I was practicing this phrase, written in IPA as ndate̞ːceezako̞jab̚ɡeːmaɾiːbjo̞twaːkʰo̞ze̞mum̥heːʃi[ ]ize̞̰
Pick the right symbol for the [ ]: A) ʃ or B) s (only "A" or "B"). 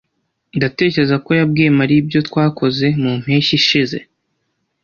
A